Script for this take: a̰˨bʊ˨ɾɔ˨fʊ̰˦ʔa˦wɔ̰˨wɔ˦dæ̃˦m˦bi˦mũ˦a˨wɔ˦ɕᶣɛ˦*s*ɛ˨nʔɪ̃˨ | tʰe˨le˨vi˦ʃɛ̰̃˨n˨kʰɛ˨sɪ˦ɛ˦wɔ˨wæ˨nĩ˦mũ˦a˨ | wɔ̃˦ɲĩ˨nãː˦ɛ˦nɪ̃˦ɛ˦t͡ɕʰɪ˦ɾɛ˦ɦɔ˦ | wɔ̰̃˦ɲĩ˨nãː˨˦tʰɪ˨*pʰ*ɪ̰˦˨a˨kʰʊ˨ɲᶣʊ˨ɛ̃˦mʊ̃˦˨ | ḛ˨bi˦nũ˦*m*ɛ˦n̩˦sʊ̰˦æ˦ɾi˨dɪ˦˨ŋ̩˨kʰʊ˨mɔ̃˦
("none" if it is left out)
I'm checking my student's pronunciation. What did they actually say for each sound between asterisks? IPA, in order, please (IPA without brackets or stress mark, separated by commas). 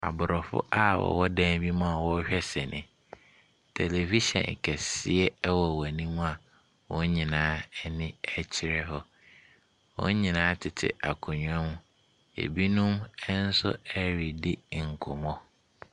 s, tʰ, m